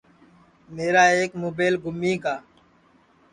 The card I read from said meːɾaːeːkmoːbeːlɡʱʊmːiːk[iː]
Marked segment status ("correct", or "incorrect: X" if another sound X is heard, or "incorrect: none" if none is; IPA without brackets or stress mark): incorrect: aː